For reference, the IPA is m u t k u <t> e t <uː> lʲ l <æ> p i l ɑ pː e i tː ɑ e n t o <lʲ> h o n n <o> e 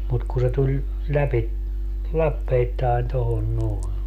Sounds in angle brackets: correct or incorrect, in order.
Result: incorrect, incorrect, correct, incorrect, correct

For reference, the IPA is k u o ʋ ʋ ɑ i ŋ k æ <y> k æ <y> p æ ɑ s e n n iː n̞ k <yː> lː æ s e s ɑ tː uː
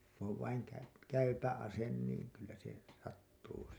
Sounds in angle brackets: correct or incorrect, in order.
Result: correct, correct, incorrect

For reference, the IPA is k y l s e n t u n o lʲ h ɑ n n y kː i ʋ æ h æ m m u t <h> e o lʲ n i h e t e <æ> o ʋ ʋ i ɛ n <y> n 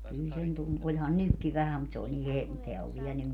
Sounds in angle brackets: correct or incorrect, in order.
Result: incorrect, correct, correct

